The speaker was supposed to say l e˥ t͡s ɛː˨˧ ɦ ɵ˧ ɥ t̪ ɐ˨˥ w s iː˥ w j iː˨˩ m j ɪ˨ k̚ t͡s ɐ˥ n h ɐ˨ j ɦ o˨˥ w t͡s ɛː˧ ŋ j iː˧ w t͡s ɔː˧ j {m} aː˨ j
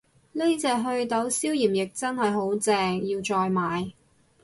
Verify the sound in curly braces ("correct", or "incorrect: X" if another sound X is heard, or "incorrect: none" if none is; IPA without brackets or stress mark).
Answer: correct